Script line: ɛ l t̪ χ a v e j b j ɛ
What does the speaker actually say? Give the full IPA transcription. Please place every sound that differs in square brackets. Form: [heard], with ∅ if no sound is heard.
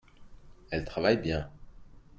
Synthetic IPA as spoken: ɛ l t̪ χ a v [a] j b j [ɛ̃]